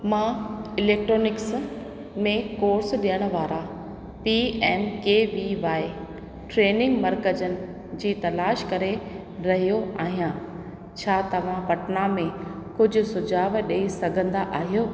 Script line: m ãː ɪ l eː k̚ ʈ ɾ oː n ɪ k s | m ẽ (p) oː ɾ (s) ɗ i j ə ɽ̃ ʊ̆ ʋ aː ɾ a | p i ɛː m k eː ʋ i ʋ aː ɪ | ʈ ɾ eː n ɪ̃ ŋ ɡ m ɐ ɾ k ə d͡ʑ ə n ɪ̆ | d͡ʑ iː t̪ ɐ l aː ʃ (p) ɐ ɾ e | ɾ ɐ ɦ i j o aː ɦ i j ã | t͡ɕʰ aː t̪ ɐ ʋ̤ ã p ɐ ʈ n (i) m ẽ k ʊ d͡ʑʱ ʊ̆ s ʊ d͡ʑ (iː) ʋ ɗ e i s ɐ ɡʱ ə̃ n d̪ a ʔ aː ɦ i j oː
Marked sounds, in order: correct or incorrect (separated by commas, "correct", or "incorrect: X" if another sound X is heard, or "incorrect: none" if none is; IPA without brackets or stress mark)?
incorrect: k, correct, incorrect: k, incorrect: a, incorrect: aː